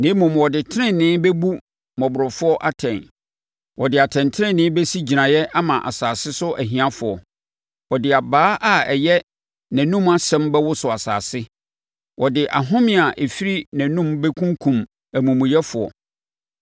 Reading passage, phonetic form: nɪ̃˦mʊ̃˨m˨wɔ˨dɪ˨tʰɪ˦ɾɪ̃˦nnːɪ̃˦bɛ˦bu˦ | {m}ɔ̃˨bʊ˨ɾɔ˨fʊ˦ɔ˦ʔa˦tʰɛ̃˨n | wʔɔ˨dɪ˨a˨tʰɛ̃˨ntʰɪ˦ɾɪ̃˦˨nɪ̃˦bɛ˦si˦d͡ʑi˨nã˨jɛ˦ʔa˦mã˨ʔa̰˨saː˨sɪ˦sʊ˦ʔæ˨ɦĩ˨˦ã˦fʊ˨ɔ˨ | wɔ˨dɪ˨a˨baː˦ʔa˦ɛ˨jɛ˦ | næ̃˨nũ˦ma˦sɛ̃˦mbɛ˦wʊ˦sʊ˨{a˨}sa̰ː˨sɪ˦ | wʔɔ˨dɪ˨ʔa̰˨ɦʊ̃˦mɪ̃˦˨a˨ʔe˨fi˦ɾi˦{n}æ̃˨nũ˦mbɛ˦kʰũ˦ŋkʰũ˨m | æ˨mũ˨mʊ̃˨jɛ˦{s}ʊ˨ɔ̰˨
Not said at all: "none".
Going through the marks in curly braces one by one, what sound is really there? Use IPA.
m, a˨, n, f

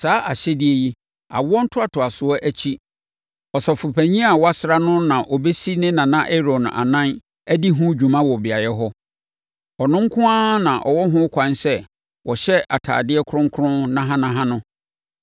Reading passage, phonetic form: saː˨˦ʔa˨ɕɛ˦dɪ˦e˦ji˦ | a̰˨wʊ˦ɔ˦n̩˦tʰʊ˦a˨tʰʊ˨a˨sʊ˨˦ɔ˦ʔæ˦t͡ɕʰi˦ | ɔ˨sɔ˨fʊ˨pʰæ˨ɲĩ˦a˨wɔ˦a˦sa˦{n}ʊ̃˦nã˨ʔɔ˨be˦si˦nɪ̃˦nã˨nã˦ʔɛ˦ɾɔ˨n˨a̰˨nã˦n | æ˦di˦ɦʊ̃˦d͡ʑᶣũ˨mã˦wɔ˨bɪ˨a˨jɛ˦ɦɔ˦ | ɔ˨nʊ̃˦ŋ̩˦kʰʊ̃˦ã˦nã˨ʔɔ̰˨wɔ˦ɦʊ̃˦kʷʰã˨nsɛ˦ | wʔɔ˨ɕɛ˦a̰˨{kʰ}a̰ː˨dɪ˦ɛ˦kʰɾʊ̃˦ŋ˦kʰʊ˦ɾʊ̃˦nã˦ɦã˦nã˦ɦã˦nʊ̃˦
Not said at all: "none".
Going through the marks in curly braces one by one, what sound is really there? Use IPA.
n, tʰ

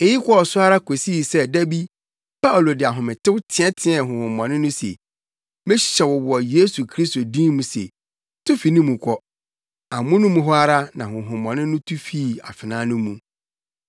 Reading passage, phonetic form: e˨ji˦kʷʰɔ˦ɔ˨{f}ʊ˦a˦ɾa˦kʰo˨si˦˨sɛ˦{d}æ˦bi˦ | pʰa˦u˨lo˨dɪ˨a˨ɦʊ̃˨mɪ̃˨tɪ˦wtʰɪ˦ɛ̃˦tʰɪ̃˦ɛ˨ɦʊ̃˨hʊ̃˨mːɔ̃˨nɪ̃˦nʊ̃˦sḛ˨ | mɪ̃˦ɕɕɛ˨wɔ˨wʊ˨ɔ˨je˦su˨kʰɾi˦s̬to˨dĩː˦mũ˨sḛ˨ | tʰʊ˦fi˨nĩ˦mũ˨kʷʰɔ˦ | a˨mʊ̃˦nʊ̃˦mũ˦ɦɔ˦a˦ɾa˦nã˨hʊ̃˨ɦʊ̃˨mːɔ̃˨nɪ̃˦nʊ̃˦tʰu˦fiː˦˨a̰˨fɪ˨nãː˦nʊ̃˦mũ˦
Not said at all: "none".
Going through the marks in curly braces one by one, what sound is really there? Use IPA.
s, d

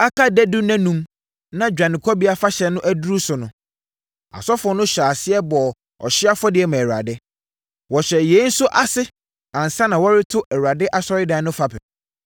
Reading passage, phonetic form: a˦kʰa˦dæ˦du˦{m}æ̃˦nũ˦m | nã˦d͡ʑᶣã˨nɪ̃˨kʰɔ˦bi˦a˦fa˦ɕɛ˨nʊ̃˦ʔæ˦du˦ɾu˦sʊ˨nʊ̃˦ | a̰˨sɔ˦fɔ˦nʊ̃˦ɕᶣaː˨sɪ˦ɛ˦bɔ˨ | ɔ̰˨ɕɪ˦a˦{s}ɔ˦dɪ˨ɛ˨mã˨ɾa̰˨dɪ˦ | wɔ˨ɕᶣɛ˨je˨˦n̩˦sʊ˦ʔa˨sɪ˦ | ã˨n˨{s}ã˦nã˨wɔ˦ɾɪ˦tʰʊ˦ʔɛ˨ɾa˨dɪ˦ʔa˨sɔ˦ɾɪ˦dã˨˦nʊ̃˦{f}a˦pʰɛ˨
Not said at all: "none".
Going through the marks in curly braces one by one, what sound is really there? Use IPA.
n, f, s, f

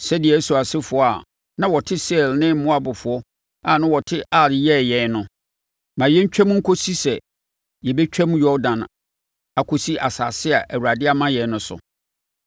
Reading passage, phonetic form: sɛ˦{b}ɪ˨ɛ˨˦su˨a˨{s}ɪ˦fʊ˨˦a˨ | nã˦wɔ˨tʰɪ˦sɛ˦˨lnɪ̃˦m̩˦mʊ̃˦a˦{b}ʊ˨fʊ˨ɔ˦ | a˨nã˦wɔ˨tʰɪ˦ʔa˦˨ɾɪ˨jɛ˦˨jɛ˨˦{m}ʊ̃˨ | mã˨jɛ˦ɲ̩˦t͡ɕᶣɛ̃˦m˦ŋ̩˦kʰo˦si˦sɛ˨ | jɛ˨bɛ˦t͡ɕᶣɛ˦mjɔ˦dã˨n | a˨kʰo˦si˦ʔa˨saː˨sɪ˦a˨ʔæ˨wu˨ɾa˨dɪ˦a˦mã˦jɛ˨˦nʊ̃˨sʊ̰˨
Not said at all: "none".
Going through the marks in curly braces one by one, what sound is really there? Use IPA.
d, s, b, n

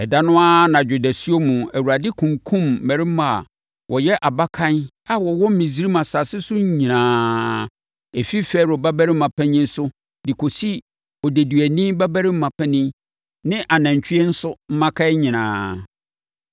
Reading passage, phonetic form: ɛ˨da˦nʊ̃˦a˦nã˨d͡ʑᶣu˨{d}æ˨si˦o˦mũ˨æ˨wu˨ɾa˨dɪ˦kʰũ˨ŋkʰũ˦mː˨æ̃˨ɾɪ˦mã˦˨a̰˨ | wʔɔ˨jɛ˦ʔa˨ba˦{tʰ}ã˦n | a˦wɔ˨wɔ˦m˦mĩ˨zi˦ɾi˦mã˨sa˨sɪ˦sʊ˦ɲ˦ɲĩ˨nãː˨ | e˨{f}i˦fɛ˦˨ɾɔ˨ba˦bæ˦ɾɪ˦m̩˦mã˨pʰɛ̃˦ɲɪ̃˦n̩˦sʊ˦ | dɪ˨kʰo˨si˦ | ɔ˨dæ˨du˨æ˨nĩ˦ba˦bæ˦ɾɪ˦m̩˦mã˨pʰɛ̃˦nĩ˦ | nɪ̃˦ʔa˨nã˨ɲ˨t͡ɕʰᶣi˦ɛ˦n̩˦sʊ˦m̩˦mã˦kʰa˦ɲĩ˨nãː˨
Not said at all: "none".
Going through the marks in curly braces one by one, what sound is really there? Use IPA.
d, kʰ, f

